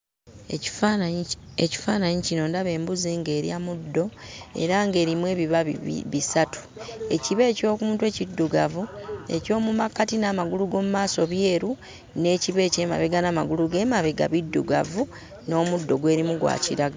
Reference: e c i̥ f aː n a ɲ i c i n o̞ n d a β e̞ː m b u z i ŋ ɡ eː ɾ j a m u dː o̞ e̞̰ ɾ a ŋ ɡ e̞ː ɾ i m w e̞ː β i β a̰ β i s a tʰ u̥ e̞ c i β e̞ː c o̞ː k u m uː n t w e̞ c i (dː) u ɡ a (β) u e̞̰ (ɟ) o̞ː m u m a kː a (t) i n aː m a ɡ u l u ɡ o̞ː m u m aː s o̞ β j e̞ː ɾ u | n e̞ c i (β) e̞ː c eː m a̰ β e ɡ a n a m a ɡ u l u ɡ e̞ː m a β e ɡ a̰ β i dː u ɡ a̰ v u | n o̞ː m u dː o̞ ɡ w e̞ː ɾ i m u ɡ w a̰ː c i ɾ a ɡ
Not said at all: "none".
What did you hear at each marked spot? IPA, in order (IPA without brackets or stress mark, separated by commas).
dː, v, c, t, β